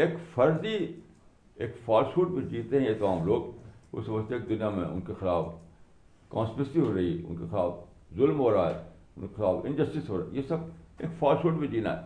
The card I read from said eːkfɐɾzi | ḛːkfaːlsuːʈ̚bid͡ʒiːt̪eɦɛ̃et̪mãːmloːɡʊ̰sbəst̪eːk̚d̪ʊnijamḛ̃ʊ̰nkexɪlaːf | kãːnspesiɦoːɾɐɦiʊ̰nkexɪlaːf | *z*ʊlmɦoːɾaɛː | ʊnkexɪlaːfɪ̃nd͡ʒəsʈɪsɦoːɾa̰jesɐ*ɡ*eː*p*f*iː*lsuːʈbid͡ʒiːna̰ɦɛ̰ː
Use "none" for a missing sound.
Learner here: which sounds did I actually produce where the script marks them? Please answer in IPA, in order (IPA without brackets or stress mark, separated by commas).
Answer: z, b, k, aː